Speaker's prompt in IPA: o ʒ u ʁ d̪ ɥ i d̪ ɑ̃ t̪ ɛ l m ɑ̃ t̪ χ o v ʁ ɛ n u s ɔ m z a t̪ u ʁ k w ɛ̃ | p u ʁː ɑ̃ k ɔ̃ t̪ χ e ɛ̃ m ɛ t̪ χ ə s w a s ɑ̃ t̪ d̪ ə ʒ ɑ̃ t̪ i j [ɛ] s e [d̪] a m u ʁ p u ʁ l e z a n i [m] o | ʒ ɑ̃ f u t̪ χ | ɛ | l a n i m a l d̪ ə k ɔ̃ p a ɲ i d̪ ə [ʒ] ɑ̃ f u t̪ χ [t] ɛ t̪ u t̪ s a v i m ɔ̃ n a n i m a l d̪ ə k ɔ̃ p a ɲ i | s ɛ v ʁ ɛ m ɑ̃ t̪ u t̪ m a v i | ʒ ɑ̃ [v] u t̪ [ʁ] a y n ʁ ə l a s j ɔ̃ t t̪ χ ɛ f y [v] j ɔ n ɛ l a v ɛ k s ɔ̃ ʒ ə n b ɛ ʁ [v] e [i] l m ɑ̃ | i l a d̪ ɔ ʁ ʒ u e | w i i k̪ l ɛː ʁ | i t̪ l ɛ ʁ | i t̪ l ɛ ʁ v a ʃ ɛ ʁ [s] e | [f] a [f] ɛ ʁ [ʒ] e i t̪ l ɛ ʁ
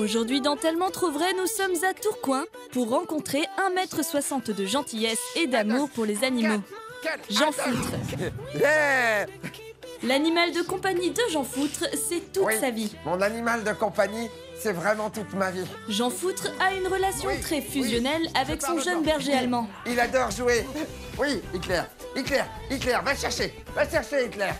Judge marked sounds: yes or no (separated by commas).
yes, yes, yes, yes, no, no, no, no, no, no, no, no, no, no